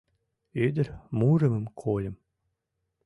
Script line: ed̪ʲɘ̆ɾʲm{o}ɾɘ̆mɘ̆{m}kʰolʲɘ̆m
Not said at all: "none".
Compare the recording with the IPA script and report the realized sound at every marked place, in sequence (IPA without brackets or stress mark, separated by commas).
u, m